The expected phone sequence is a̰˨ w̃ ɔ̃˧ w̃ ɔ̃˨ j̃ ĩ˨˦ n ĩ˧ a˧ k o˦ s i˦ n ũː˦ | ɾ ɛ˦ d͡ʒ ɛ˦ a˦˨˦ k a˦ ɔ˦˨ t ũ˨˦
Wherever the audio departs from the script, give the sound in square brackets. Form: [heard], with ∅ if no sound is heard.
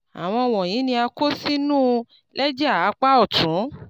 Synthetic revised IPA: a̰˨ w̃ ɔ̃˧ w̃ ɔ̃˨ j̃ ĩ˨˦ n ĩ˧ a˧ k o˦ s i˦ n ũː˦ | [l] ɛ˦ d͡ʒ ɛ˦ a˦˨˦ [k͡p] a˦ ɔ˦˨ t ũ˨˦